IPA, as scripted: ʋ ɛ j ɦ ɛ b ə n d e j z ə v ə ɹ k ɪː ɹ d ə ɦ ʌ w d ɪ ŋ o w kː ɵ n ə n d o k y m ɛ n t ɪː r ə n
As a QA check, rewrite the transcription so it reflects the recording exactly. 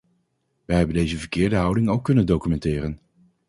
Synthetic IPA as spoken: ʋ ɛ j ɦ ɛ b ə n d e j z ə v ə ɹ k ɪː ɹ d ə ɦ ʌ w d ɪ ŋ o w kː ɵ n ə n d o k y m ɛ n t ɪː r ə n